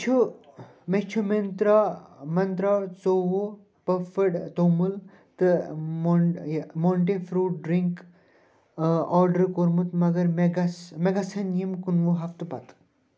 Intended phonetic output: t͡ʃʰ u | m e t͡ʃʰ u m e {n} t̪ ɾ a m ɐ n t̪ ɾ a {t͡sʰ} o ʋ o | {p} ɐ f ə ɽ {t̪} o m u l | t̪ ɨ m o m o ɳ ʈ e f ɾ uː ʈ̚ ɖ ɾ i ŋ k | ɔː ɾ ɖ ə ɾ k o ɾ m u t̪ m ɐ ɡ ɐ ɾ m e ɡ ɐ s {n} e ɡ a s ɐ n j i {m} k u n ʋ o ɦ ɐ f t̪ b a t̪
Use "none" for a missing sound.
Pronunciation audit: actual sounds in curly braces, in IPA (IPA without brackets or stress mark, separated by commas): n, t͡s, p, t̪, m, m